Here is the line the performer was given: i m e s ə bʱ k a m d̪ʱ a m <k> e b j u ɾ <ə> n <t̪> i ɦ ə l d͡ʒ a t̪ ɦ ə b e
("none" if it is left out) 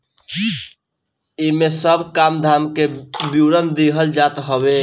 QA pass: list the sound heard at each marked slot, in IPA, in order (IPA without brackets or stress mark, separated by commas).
k, ə, d̪